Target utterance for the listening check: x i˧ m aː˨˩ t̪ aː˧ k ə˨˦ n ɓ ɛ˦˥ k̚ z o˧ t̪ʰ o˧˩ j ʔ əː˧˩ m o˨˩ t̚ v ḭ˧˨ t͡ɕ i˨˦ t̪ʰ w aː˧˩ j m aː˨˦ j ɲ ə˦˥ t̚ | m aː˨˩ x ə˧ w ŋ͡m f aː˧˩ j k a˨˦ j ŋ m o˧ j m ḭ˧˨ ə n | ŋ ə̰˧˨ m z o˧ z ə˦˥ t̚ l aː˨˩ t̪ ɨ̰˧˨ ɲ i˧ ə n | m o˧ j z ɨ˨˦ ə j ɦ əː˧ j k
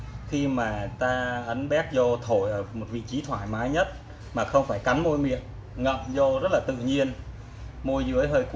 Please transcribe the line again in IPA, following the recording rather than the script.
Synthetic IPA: x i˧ m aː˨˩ t̪ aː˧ ʔ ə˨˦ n ɓ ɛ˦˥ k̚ z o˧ t̪ʰ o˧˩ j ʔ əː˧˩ m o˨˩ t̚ v ḭ˧˨ t͡ɕ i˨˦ t̪ʰ w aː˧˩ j m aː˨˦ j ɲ ə˦˥ t̚ | m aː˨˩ x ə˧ w ŋ͡m f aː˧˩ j k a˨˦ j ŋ m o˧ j m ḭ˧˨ ə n | ŋ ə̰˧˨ m z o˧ z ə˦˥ t̚ l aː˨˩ t̪ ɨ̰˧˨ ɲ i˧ ə n | m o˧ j z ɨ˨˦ ə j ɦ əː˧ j k